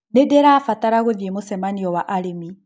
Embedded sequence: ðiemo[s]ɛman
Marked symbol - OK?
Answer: yes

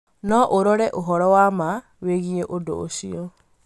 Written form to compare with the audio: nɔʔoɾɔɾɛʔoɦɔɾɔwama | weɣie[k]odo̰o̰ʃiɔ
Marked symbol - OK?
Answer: no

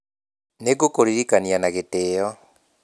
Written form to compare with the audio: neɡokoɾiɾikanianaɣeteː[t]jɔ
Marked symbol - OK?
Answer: no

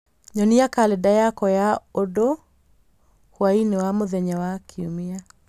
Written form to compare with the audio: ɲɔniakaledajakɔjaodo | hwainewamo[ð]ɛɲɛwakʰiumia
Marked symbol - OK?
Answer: yes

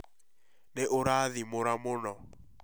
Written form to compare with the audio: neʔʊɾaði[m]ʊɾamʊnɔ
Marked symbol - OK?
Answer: yes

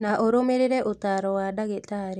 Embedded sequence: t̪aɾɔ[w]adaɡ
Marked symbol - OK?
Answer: yes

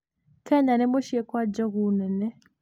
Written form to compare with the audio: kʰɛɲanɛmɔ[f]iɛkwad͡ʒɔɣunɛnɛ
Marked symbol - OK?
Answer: no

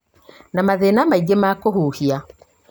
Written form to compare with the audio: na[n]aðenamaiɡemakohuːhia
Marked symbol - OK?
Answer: no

